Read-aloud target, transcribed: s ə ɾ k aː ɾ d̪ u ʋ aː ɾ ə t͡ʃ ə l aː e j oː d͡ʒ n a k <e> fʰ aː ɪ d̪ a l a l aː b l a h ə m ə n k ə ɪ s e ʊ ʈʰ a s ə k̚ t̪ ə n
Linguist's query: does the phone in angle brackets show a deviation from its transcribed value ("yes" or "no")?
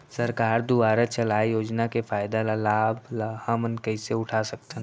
no